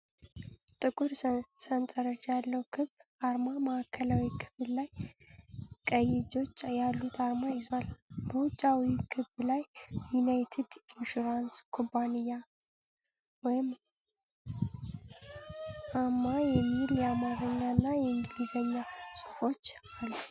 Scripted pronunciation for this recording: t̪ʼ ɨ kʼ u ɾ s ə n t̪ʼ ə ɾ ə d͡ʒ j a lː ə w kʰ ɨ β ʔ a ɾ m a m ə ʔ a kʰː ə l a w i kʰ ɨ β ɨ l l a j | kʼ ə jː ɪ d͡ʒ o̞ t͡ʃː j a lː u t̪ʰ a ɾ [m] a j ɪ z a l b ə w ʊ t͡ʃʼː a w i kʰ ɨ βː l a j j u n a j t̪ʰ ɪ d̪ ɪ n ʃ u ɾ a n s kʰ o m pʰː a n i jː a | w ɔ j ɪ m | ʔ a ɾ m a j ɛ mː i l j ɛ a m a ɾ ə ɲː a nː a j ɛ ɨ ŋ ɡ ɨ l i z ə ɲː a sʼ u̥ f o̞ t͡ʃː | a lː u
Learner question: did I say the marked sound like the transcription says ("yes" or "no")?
yes